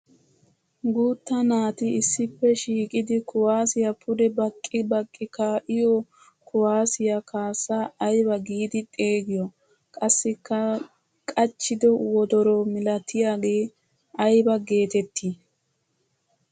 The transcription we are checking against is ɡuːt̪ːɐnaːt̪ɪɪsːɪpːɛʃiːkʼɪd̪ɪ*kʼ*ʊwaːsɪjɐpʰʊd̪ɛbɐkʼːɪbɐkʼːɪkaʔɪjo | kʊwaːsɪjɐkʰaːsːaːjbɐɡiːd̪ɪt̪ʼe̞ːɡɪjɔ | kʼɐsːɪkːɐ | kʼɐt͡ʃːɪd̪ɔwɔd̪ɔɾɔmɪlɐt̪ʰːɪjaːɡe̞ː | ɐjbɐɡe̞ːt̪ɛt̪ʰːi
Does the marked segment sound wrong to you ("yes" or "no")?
yes